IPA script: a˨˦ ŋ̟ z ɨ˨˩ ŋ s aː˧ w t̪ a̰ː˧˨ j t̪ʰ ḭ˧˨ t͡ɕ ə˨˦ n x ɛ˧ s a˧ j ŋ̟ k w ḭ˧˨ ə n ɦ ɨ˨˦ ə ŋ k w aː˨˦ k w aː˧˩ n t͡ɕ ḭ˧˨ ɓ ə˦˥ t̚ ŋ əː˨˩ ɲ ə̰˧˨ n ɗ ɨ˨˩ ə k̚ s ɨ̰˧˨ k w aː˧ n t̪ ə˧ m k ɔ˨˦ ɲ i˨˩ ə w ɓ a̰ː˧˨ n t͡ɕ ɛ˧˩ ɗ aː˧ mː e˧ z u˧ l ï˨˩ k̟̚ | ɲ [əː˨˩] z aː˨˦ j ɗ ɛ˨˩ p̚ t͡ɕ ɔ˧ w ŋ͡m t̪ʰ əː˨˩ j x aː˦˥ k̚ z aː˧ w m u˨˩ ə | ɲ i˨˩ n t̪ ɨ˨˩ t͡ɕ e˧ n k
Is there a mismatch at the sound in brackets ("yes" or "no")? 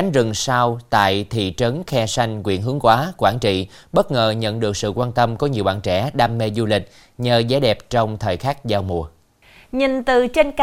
no